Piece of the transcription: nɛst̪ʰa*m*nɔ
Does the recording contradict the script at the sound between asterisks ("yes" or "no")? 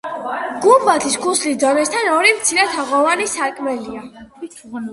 yes